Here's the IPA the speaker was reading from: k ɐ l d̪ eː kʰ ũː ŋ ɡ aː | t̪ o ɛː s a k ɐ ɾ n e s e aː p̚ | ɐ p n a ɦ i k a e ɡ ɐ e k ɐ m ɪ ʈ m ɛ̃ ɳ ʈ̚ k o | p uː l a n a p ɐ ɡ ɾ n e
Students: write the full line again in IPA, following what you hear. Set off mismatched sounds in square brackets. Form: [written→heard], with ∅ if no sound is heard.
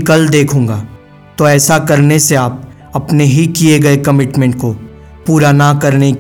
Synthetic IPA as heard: k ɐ l d̪ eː kʰ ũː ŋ ɡ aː | t̪ o ɛː s a k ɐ ɾ n e s e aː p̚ | ɐ p n [a→e] ɦ i k [a→i] e ɡ ɐ e k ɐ m ɪ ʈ m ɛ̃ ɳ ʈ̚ k o | p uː [l→ɾ] a n a [p→k] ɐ [ɡ→∅] ɾ n e